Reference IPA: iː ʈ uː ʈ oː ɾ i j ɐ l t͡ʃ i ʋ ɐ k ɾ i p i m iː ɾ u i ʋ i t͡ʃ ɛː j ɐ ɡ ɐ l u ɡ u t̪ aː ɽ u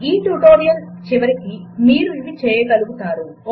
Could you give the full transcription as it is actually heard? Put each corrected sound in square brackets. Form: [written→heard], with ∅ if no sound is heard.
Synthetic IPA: iː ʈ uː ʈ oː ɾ i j ɐ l t͡ʃ i ʋ ɐ [k→∅] ɾ i [p→k] i m iː ɾ u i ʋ i t͡ʃ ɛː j ɐ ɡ ɐ l u ɡ u t̪ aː [ɽ→ɾ] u